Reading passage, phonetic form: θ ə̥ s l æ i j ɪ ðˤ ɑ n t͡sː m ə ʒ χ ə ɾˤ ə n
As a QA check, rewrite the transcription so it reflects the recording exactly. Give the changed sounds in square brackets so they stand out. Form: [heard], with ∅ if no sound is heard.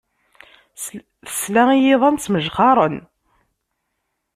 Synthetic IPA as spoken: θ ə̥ s l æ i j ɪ ðˤ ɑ n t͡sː m ə ʒ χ [ɑ] ɾˤ ə n